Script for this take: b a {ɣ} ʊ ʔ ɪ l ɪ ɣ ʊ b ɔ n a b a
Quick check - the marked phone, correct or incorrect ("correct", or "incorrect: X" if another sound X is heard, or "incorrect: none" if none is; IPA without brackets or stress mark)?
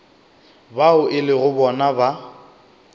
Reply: incorrect: none